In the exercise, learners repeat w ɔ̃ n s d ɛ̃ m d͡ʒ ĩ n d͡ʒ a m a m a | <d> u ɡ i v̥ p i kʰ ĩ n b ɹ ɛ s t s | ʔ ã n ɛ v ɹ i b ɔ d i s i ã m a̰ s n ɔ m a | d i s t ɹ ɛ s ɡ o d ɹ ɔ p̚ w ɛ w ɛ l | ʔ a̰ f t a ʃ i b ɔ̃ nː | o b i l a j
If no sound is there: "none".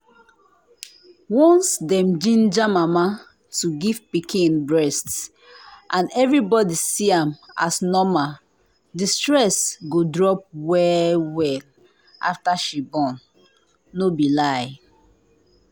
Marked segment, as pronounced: t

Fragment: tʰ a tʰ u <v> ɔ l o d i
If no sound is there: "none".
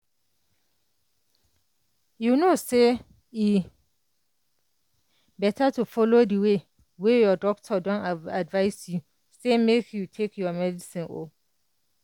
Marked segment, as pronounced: f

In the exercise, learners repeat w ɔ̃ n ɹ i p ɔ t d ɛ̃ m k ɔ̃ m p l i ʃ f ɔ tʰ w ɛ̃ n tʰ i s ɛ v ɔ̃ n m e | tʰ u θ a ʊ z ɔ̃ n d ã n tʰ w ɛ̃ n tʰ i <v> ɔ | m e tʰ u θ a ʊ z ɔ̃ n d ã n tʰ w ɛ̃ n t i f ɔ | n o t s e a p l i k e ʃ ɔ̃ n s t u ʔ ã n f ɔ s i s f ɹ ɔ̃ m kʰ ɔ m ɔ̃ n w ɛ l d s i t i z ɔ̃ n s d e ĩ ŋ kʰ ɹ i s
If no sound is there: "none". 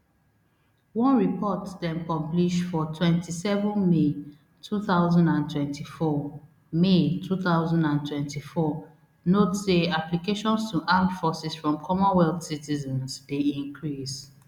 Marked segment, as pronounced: f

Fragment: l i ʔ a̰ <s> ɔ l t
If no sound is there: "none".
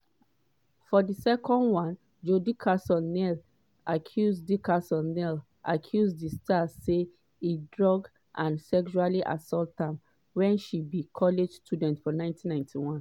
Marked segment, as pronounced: s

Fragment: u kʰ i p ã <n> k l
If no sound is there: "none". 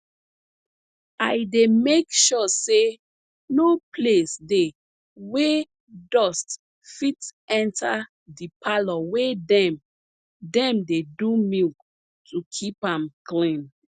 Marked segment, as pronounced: m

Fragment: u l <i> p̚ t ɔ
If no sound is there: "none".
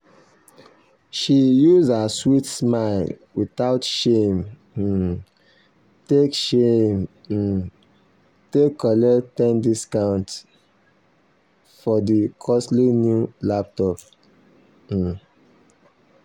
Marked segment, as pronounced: a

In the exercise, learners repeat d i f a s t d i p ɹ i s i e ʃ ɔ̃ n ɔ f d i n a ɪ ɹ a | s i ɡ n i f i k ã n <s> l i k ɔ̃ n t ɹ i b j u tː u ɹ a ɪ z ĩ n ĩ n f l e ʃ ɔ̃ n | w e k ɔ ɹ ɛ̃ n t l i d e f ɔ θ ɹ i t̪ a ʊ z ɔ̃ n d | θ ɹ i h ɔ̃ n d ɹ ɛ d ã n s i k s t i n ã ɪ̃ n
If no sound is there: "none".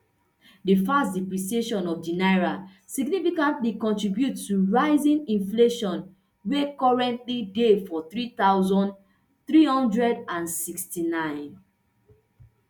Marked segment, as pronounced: t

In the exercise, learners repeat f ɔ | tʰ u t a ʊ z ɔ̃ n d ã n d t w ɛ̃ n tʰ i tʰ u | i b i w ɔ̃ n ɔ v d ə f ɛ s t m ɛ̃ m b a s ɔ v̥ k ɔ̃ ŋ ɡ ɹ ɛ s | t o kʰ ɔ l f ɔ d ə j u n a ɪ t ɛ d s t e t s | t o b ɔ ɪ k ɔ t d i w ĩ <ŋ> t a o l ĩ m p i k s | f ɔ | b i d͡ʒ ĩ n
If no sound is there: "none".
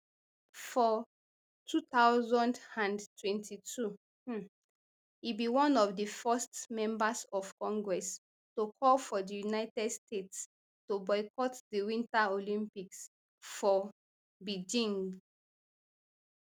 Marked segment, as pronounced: n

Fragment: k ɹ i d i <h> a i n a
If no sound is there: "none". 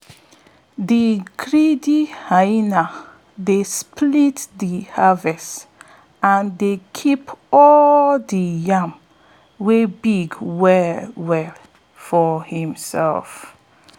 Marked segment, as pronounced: h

